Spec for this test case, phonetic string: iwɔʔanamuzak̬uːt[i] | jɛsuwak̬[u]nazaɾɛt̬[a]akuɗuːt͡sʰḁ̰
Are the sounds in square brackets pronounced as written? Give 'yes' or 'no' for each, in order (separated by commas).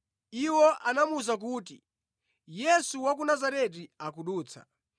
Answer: yes, yes, no